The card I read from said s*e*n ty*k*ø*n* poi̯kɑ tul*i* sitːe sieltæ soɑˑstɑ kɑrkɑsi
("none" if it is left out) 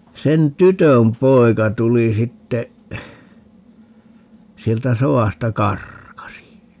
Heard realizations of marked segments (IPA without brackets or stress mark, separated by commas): e, t, m, i